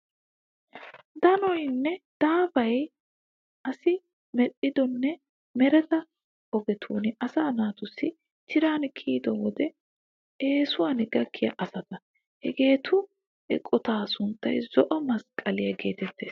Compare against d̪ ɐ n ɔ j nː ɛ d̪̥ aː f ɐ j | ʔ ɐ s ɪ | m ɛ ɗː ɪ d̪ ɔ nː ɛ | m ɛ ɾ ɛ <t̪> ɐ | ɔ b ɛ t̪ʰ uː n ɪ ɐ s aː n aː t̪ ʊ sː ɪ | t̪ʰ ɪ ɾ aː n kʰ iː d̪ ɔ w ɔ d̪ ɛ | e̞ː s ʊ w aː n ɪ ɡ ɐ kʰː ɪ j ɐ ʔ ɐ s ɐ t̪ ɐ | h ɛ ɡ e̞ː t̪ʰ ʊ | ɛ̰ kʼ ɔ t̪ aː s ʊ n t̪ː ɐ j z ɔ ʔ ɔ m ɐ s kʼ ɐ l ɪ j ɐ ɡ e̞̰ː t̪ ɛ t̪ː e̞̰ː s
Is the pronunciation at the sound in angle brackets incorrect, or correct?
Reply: correct